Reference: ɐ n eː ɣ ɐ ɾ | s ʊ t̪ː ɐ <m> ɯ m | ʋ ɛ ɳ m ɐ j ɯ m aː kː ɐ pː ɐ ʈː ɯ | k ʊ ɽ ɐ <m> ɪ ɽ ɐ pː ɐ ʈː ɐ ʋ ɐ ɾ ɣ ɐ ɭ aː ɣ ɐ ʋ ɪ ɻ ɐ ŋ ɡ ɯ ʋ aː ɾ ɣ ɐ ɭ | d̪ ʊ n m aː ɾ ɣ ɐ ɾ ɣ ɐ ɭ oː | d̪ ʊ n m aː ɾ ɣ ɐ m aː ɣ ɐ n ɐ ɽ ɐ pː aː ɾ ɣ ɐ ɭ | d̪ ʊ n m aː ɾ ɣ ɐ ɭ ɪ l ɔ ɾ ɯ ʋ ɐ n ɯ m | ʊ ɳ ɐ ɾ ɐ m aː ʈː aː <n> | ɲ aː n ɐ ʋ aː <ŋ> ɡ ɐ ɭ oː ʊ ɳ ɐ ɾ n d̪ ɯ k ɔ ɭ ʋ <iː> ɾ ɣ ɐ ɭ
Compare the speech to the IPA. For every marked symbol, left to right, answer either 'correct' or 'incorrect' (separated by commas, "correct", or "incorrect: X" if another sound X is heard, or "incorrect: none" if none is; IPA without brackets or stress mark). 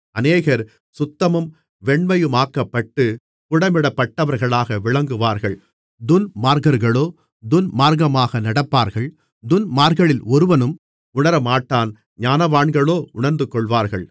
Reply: correct, correct, correct, incorrect: ɳ, incorrect: aː